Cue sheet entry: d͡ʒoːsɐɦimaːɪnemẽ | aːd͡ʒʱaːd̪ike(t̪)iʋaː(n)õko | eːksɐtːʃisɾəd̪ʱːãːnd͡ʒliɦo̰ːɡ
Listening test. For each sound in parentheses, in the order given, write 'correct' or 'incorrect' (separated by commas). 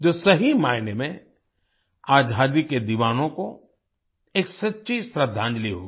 incorrect, correct